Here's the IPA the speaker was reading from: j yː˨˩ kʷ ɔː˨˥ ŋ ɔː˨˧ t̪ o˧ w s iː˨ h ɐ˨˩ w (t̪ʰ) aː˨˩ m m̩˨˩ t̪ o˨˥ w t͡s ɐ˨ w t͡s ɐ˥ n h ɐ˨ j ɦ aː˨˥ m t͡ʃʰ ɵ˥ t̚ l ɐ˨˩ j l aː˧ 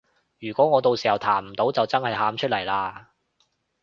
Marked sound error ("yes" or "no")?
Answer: no